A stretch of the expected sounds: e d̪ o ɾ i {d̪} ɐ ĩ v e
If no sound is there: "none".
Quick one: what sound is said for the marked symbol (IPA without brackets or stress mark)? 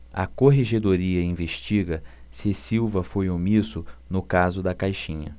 none